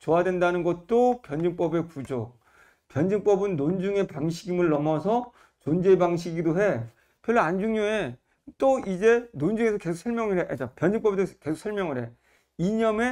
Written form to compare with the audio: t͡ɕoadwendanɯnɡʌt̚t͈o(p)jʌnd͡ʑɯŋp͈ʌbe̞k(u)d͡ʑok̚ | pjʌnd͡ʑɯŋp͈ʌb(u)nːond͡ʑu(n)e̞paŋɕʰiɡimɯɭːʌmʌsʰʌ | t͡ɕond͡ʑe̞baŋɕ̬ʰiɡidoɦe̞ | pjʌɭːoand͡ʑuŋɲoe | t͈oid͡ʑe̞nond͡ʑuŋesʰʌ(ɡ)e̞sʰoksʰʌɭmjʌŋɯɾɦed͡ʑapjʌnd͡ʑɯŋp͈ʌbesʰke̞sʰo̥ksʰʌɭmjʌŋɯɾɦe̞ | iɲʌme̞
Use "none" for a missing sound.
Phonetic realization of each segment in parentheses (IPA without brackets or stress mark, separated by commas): p, u, ɯ, ŋ, k